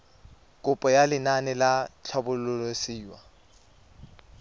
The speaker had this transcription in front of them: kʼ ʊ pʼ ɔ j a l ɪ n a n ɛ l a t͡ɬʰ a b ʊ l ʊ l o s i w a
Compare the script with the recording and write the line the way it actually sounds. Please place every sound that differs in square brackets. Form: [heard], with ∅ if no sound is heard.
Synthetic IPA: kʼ ʊ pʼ ɔ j a l ɪ n a n ɛ l a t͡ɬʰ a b ʊ l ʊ l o s [iː] w a